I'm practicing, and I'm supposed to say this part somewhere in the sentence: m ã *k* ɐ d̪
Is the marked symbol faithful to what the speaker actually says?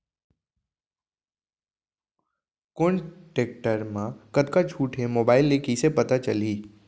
yes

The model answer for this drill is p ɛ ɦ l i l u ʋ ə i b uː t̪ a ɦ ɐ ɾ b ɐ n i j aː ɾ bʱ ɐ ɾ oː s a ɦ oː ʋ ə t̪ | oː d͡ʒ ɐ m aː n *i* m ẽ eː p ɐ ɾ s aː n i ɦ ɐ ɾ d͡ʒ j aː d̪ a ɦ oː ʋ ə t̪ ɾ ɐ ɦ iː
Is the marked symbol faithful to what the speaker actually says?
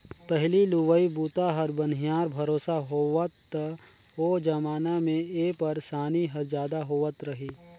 no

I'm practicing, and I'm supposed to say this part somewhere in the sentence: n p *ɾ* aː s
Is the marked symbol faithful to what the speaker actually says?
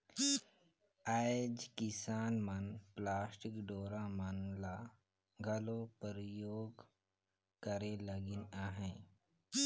no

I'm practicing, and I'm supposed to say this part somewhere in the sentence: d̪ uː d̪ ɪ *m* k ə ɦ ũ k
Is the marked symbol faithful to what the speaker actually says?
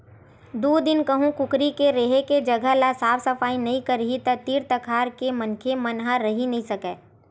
no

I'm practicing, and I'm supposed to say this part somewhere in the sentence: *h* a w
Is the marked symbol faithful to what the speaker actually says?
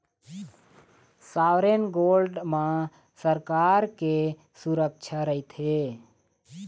no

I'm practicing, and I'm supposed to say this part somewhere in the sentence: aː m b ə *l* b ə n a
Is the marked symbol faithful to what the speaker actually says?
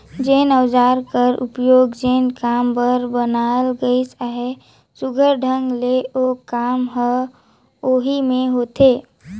no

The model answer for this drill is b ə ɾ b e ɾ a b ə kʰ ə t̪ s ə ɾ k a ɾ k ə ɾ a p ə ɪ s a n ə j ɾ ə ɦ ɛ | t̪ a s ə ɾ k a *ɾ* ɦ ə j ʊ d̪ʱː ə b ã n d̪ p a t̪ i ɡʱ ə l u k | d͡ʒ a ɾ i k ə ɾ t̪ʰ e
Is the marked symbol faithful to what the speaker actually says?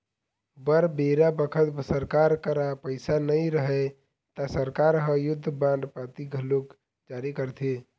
yes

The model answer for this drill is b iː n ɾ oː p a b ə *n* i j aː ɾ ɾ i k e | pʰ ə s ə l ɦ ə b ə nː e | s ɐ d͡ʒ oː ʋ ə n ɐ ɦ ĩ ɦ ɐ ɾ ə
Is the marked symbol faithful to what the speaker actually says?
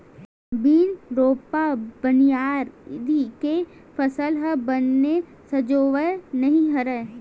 yes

